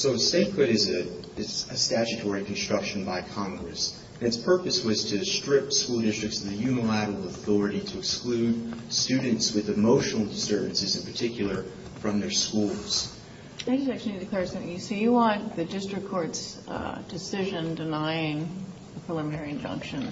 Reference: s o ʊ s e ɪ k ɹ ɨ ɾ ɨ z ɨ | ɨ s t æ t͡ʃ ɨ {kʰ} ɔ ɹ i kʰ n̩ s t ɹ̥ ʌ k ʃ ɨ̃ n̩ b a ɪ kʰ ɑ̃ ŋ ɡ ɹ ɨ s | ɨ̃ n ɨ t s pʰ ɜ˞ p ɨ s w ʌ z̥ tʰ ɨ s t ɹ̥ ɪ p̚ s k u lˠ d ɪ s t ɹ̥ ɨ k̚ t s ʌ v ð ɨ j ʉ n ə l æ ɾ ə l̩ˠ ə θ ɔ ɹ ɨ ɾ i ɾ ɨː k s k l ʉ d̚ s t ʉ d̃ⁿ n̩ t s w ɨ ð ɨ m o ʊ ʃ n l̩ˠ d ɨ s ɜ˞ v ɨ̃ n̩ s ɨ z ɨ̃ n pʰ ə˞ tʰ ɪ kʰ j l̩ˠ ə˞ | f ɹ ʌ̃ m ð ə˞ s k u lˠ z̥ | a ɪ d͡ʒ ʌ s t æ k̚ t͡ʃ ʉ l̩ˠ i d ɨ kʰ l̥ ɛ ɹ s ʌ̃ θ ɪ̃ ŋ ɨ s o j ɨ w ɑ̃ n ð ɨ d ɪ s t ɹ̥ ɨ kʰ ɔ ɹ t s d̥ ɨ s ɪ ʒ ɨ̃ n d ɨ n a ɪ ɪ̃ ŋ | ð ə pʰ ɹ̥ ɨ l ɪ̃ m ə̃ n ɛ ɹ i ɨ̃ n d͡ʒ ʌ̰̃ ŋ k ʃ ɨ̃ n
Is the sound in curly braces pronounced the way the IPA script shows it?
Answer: no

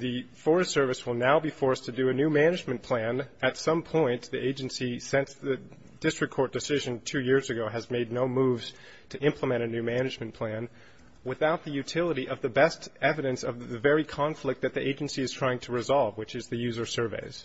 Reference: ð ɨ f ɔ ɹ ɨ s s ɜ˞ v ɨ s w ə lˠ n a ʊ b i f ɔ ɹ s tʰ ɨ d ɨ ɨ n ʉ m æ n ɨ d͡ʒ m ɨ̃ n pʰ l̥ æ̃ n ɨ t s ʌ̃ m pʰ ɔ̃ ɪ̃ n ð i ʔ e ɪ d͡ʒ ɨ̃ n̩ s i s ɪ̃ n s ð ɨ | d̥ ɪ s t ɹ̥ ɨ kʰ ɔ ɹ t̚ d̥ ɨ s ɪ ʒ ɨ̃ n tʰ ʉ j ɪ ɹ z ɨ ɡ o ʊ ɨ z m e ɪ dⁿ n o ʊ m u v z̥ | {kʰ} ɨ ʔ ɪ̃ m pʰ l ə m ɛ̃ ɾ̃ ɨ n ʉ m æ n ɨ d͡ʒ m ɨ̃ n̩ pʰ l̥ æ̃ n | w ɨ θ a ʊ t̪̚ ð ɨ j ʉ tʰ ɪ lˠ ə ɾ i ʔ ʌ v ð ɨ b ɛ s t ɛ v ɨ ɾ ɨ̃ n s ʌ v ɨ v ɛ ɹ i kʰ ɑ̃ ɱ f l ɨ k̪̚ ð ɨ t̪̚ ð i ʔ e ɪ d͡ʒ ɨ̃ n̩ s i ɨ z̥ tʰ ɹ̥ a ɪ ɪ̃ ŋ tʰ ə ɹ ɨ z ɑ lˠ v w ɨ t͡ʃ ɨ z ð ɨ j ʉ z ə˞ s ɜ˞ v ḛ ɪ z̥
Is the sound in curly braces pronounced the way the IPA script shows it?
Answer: no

